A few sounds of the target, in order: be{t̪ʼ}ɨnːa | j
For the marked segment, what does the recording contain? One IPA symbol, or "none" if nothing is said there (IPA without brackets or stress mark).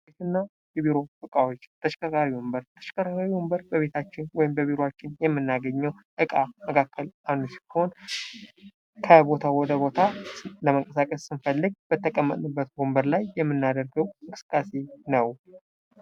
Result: t̪